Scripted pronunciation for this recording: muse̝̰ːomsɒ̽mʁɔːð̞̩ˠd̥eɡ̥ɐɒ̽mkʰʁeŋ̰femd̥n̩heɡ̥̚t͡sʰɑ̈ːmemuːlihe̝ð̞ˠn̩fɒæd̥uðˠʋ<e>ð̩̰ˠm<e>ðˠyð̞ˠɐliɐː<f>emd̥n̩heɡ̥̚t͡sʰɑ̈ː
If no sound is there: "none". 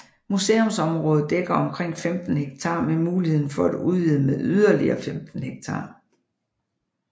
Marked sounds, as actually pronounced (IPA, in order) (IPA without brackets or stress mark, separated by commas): i, e, f